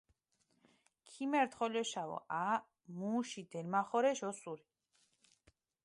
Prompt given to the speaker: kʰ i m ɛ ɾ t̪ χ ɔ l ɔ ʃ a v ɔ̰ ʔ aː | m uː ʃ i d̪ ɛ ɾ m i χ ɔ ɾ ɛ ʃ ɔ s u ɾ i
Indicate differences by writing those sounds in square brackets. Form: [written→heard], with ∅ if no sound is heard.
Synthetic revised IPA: kʰ i m ɛ ɾ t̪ χ ɔ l ɔ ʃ a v ɔ̰ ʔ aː | m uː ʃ i d̪ ɛ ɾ m [i→a] χ ɔ ɾ ɛ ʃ ɔ s u ɾ i